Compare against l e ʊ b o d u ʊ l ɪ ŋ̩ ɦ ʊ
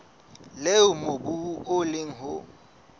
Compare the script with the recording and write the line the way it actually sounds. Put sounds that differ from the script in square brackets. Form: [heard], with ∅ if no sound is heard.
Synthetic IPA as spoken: l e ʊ [m] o [b] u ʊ l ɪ ŋ̩ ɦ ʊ